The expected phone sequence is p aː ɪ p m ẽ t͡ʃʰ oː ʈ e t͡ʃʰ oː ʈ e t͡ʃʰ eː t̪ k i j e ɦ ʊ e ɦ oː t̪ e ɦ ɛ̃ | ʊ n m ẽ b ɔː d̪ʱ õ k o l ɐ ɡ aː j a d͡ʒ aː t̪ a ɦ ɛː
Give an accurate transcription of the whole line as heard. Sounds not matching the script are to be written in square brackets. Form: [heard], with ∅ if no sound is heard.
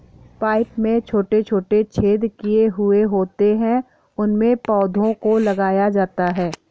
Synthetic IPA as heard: p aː ɪ p m ẽ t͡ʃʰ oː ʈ e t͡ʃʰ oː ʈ e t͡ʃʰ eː [d̪] k i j e ɦ ʊ e ɦ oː t̪ e ɦ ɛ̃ | ʊ n m ẽ [p] ɔː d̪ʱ õ k o l ɐ ɡ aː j a d͡ʒ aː t̪ a ɦ ɛː